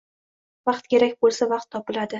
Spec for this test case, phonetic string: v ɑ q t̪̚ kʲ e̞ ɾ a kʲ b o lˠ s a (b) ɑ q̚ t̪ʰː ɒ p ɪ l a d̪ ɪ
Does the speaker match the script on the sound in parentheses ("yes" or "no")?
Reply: no